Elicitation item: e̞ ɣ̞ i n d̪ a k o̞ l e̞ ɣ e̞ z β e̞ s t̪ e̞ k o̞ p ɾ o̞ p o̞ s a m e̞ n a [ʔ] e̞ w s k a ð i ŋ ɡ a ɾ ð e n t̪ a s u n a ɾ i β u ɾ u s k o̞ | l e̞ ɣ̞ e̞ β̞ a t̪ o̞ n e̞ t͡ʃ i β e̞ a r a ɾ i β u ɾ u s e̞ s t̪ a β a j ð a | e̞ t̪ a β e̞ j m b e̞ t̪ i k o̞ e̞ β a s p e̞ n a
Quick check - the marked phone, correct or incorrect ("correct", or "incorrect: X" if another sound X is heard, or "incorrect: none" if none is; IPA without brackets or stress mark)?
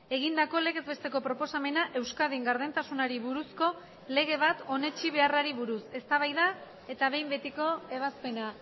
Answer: correct